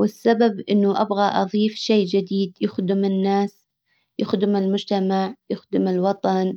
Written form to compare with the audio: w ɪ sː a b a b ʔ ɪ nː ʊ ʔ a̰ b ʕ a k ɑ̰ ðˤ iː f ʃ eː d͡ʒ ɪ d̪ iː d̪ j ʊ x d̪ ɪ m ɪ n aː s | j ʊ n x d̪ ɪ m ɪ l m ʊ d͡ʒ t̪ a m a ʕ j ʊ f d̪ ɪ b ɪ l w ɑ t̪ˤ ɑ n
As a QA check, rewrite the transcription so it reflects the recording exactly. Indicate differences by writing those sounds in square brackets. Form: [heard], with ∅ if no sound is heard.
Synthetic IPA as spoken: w ɪ sː a b a b ʔ ɪ nː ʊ ʔ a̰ b [ɣ] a [ʔ] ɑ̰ ðˤ iː f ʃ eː d͡ʒ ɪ d̪ iː d̪ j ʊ x d̪ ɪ m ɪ [nː] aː s | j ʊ [∅] x d̪ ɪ m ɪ l m ʊ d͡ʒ t̪ a m a ʕ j ʊ [x] d̪ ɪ [m] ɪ l w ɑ t̪ˤ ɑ n